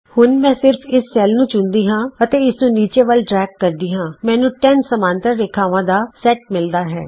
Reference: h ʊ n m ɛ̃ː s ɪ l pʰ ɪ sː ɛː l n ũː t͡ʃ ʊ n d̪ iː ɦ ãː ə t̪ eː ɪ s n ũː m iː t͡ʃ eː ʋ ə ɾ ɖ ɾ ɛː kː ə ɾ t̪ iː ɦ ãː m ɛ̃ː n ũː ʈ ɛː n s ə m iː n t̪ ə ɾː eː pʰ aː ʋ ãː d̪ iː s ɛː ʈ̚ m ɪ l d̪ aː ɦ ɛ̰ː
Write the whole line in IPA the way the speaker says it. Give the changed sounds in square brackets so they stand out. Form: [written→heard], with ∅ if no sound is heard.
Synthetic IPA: h ʊ n m ɛ̃ː s ɪ [l→ɾ] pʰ ɪ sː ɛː l n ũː t͡ʃ ʊ n d̪ iː ɦ ãː ə t̪ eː ɪ s n ũː [m→n] iː t͡ʃ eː ʋ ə [ɾ→l] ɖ ɾ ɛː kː ə ɾ [t̪→d̪] iː ɦ ãː m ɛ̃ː n ũː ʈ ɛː n s ə m [iː→aː] n t̪ ə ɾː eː [pʰ→kʰ] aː ʋ ãː d̪ [iː→aː] s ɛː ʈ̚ m ɪ l d̪ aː ɦ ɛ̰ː